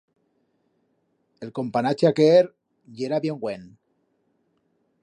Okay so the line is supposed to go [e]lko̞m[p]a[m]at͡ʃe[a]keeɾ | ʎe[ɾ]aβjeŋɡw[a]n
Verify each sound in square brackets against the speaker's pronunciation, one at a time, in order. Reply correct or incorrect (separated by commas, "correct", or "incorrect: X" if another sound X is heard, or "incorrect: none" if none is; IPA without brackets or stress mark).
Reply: correct, correct, incorrect: n, correct, correct, incorrect: e